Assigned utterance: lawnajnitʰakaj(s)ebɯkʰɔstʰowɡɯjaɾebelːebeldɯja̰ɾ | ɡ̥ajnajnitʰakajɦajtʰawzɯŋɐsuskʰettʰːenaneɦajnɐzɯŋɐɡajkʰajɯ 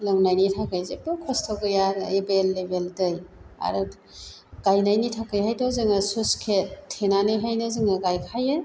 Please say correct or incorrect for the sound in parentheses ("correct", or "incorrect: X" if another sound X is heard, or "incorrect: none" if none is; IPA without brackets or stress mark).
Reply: incorrect: z